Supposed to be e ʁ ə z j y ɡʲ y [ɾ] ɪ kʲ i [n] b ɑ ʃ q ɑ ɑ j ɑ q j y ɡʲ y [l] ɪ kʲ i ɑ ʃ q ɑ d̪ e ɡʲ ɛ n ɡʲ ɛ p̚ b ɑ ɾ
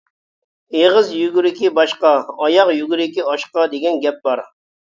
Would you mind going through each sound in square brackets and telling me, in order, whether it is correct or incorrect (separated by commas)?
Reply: correct, incorrect, incorrect